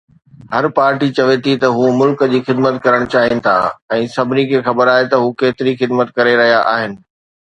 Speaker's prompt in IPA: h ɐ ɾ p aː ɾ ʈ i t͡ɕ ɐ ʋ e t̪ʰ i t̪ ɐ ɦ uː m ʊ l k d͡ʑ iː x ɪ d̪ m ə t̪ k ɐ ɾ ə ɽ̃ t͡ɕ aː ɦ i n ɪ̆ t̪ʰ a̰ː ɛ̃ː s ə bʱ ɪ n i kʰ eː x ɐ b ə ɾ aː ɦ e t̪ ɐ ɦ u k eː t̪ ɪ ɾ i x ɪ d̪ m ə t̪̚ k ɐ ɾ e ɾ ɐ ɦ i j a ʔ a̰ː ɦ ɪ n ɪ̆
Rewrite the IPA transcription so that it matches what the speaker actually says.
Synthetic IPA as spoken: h ɐ ɾ p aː ɾ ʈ i t͡ɕ ɐ ʋ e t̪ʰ i t̪ ɐ ɦ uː m ʊ l k d͡ʑ iː x ɪ d̪ m ə t̪ k ɐ ɾ ə ɽ̃ t͡ɕ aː ɦ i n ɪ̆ t̪ʰ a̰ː ɛ̃ː s ɐ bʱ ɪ n i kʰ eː x ɐ b ə ɾ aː ɦ e t̪ ɐ ɦ u k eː t̪ ɪ ɾ i x ɪ d̪ m ə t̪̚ k ɐ ɾ e ɾ ɐ ɦ i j a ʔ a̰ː ɦ ɪ n ɪ̆